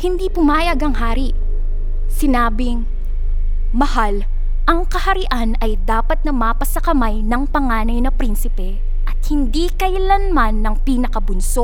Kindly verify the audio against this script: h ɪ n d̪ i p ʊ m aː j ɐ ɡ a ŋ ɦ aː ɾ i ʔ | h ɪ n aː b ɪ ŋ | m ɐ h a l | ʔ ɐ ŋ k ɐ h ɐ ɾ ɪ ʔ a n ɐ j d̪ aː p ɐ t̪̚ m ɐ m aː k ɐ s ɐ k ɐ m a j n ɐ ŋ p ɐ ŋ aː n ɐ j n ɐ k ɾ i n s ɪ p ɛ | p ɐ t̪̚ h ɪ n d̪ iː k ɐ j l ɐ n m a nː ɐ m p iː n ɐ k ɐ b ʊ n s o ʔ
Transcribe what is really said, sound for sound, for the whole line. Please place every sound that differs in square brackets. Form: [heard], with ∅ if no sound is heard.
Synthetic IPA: h ɪ n d̪ i p ʊ m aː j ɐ ɡ [ɐ] ŋ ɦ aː ɾ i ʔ | [s] ɪ n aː b ɪ ŋ | m ɐ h a l | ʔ ɐ ŋ k ɐ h ɐ ɾ ɪ ʔ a n ɐ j d̪ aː p ɐ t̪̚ [n] ɐ m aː [p] ɐ s ɐ k ɐ m a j n ɐ ŋ p ɐ ŋ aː n ɐ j n ɐ [p] ɾ i n s ɪ p ɛ | [ʔ] ɐ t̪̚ h ɪ n d̪ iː k ɐ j l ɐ n m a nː ɐ [ŋ] p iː n ɐ k ɐ b ʊ n s o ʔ